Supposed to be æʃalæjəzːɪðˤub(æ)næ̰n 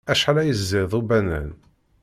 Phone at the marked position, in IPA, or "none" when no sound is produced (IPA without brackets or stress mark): æ